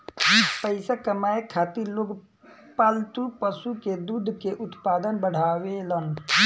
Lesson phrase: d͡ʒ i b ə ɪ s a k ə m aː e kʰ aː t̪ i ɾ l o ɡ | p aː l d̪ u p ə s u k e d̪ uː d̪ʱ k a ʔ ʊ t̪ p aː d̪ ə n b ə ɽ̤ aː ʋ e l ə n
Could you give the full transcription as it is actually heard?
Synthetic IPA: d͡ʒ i p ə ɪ s a k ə m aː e kʰ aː t̪ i ɾ l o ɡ | p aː l t̪ u p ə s u k e d̪ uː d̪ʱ k e ʔ ʊ t̪ p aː d̪ ə n b ə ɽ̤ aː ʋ e l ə n